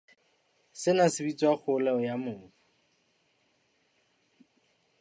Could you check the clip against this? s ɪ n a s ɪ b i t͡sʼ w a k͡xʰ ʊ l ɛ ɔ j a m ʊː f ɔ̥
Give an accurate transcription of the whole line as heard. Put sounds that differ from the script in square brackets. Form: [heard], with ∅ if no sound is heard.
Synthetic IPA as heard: s ɪ n a s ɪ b i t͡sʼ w a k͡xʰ ʊ l ɛ ɔ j a m ʊː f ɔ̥